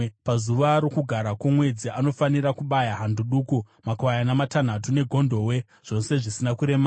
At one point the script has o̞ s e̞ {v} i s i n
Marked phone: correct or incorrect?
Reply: incorrect